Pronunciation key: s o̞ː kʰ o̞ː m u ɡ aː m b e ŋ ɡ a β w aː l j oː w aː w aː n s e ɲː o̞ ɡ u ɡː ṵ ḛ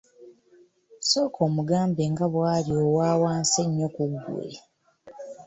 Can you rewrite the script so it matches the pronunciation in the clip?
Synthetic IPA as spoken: s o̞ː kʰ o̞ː m u ɡ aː m b e ŋ ɡ a β w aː l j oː w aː w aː n s e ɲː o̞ k u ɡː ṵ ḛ